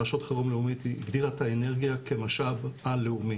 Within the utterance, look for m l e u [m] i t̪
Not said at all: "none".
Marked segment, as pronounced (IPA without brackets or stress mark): m